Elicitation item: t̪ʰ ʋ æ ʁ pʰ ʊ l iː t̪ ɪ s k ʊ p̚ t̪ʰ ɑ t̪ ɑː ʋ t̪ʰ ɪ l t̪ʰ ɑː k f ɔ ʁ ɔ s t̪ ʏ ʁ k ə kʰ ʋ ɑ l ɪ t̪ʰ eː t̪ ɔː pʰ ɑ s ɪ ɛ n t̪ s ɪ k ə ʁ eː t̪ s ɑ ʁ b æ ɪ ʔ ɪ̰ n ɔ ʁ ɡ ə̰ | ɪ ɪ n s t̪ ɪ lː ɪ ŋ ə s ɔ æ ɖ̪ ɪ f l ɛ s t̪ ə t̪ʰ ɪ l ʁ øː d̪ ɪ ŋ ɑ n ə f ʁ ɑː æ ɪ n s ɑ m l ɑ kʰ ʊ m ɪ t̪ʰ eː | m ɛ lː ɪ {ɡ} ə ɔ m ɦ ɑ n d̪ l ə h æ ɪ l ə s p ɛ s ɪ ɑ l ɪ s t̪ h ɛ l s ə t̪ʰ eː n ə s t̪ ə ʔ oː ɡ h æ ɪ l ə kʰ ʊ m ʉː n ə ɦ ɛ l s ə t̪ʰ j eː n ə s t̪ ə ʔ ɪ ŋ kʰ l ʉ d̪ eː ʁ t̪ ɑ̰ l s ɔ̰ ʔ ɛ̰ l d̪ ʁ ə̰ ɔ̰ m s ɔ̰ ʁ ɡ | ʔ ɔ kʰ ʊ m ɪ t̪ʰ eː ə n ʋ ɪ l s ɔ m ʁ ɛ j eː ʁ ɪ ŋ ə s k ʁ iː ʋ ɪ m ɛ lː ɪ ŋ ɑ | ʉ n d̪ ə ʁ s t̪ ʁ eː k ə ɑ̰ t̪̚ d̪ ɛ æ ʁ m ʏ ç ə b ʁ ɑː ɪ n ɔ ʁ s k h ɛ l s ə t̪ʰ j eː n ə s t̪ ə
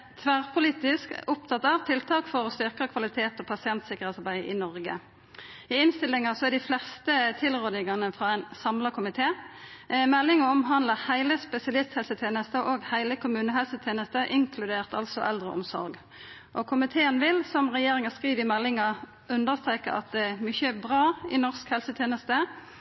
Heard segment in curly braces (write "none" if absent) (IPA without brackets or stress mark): ŋ